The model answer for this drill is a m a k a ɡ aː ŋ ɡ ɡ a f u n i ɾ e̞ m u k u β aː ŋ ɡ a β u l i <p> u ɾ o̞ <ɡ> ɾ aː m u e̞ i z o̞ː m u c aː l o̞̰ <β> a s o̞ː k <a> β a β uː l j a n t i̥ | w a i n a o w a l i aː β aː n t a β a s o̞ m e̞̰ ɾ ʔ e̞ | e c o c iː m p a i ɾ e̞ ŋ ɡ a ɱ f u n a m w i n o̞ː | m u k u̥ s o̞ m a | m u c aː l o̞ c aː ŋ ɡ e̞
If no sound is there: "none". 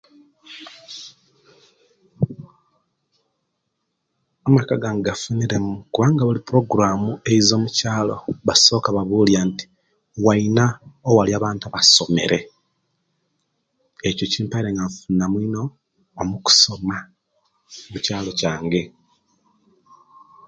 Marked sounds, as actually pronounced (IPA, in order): p, ɡ, β, a

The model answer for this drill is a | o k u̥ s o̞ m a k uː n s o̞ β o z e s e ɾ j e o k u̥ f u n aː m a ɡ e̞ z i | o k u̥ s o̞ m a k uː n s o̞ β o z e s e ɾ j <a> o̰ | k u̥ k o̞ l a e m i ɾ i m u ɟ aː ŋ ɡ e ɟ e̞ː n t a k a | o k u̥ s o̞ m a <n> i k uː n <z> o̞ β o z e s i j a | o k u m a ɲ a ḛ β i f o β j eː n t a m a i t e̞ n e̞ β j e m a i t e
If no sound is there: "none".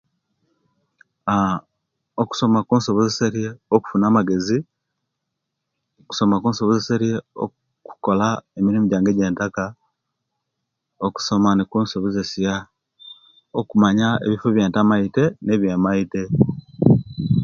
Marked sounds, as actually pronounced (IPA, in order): e, n, s

